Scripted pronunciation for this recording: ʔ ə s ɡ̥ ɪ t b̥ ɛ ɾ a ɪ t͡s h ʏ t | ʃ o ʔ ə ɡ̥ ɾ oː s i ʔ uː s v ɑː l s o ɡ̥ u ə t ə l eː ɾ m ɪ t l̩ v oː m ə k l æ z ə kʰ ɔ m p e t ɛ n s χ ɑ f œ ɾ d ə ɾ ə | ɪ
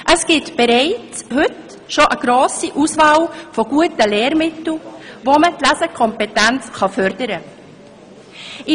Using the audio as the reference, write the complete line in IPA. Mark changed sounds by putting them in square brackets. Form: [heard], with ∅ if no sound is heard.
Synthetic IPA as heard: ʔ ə s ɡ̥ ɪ t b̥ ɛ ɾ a ɪ t͡s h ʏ t | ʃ o ʔ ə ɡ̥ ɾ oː s i ʔ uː s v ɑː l [f] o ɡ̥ u ə t ə l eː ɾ m ɪ t l̩ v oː m ə [t] l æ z ə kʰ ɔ m p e t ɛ n [t͡s] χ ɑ f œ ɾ d ə ɾ ə | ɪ